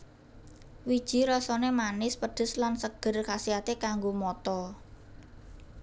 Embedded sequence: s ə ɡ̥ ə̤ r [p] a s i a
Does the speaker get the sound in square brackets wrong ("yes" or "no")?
yes